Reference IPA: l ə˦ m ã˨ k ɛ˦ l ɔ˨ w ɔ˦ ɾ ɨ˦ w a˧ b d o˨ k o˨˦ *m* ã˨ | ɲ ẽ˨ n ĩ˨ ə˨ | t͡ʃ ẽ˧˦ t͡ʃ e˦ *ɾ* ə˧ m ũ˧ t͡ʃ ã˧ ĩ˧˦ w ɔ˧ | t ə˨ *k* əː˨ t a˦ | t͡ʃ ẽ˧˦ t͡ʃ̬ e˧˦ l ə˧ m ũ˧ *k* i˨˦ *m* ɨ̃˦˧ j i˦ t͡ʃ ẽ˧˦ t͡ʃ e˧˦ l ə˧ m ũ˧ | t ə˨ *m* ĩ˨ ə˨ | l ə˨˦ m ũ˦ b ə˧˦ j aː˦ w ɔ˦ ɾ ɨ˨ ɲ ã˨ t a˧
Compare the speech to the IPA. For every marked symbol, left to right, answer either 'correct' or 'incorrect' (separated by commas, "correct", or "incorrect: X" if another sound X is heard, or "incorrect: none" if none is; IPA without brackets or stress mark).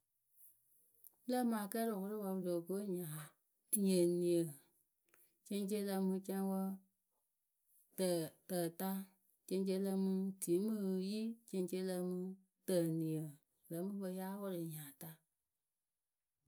incorrect: ɲ, incorrect: l, incorrect: t, incorrect: t, correct, incorrect: n